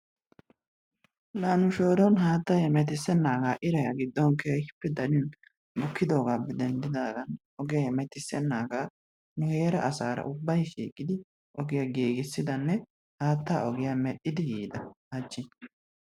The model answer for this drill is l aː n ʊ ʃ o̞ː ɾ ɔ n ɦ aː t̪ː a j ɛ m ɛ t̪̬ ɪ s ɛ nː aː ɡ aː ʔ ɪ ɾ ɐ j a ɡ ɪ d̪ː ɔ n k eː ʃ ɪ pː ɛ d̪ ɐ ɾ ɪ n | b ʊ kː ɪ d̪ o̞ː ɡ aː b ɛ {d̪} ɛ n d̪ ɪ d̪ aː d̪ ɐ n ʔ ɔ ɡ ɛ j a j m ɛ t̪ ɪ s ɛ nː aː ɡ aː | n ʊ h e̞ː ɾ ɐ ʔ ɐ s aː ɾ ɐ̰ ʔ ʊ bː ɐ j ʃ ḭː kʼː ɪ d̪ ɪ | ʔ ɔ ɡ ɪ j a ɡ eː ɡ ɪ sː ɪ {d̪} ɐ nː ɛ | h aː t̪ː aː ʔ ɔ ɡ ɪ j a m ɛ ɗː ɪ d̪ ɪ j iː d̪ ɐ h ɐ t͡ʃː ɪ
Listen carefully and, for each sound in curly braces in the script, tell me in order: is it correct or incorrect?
correct, correct

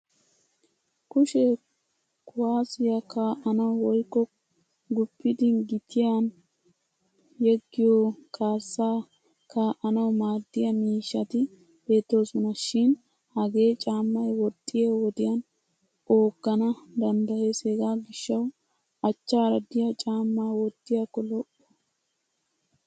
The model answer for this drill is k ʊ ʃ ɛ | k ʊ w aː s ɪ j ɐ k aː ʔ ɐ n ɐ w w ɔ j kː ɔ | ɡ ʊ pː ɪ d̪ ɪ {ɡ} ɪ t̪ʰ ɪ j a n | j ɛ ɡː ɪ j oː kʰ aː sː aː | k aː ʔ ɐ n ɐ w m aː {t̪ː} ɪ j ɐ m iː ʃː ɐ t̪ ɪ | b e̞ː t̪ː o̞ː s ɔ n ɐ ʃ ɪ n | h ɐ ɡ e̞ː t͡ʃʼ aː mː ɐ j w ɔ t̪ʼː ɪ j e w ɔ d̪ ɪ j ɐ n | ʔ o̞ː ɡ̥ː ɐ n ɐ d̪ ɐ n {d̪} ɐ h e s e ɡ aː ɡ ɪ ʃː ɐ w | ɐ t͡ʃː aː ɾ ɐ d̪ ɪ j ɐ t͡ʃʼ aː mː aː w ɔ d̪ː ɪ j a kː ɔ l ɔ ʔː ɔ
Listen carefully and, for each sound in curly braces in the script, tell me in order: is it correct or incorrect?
correct, incorrect, correct

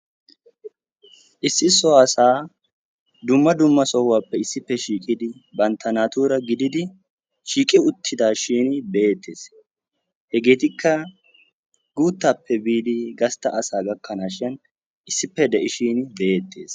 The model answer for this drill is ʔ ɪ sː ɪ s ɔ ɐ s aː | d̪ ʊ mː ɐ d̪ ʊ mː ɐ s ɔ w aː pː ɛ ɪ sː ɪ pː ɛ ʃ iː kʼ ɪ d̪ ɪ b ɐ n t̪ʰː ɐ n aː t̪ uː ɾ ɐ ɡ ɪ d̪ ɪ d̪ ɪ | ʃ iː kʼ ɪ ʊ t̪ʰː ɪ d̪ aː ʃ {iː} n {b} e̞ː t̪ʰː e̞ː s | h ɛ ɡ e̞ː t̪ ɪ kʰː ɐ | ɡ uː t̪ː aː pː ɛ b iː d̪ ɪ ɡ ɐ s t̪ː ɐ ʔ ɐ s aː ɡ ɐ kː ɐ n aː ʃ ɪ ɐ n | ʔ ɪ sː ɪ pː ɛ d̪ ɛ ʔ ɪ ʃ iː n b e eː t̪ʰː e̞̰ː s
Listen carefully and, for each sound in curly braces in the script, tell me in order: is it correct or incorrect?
correct, correct

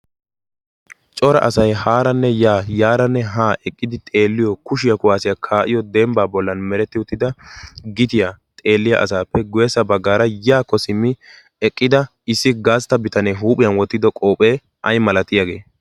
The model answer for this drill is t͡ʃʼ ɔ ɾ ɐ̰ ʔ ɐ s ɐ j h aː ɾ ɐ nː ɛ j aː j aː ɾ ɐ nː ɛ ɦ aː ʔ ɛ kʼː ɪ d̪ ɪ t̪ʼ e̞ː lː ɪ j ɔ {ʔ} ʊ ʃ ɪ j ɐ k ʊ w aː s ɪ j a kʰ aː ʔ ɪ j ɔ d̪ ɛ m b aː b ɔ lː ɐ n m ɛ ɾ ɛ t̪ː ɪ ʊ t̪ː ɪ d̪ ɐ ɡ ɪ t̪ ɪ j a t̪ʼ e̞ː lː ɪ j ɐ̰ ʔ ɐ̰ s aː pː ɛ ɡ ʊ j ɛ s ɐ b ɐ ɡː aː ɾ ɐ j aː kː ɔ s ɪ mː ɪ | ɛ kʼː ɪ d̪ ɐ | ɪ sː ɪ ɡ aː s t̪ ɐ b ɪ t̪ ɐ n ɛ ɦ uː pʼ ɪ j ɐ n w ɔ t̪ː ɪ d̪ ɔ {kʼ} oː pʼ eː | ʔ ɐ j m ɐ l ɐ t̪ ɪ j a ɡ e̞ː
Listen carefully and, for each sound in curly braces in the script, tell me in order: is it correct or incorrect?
incorrect, correct

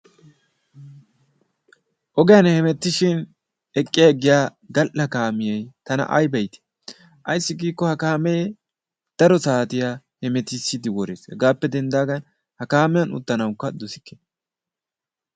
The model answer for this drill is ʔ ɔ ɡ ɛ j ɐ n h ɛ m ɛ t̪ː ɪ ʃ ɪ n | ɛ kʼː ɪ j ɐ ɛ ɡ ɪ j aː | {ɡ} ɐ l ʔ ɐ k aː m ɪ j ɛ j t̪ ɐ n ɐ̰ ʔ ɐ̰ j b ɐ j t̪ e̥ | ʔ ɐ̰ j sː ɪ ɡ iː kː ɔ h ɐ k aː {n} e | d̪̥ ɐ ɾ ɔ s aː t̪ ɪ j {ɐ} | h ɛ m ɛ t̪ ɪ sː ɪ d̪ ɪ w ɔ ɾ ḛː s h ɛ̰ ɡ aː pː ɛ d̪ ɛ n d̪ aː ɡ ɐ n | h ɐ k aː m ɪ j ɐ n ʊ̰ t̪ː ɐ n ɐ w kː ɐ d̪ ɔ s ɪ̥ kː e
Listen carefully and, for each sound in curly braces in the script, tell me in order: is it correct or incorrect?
correct, incorrect, incorrect

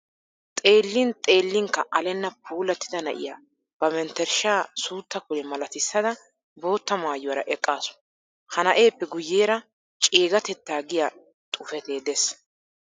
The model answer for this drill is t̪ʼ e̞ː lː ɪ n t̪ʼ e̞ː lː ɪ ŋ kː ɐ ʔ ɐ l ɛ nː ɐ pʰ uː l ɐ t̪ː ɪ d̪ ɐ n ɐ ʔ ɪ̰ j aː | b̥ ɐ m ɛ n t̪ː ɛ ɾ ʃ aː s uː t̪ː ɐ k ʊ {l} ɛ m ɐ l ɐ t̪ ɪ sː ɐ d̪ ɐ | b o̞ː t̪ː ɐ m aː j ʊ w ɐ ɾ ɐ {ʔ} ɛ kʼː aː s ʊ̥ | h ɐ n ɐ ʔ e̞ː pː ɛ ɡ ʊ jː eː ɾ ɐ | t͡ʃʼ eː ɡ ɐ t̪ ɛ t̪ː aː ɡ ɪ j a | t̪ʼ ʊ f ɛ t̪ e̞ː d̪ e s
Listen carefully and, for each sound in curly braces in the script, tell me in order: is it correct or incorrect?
correct, correct

